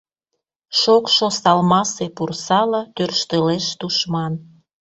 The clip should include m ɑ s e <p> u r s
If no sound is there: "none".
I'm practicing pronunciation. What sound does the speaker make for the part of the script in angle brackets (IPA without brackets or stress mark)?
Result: p